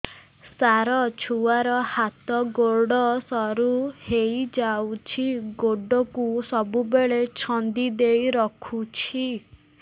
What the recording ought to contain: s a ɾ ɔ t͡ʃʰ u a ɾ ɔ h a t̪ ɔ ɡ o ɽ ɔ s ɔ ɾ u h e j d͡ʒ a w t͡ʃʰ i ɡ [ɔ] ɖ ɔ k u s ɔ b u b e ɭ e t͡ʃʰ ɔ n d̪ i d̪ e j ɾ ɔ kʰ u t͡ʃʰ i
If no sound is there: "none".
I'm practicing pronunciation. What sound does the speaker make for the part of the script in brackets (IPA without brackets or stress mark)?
o